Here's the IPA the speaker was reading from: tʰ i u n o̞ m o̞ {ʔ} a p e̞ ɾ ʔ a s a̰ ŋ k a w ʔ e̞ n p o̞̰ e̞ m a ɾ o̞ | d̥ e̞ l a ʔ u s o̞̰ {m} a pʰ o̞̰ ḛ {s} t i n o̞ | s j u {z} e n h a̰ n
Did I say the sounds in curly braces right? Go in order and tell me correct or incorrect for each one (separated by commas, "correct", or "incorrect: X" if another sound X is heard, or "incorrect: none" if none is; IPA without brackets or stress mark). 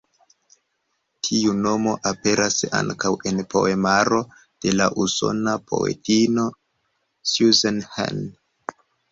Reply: correct, incorrect: n, incorrect: none, correct